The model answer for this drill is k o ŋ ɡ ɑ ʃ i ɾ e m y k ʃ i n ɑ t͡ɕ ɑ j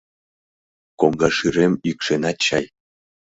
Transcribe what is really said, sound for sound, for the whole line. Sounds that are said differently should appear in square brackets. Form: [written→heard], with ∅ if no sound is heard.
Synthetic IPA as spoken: k o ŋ ɡ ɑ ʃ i ɾ e m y k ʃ [i→e] n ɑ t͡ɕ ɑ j